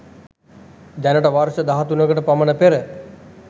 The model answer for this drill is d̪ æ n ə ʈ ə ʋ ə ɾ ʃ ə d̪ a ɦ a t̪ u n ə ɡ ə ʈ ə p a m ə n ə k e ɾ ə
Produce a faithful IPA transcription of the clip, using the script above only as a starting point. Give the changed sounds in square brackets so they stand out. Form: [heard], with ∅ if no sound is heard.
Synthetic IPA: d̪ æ n ə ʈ ə ʋ [a] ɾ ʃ ə d̪ a ɦ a t̪ u n ə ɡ ə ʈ ə p a m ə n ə [p] e ɾ ə